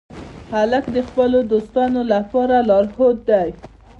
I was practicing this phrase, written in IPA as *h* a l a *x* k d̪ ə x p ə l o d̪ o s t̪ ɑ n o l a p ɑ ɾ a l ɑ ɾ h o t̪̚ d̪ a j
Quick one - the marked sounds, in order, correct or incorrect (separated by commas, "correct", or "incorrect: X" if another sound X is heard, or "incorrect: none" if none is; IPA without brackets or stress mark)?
correct, incorrect: none